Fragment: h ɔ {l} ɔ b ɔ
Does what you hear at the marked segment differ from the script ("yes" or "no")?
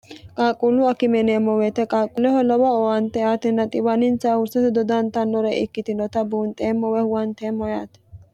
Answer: no